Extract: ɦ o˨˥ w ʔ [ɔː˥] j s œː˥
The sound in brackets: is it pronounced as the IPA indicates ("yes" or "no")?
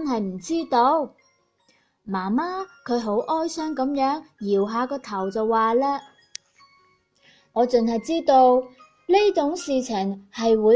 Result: yes